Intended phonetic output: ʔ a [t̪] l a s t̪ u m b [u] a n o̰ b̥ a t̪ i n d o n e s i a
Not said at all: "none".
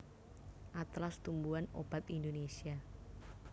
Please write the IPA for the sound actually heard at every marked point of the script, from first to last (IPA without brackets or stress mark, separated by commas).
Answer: t̪, u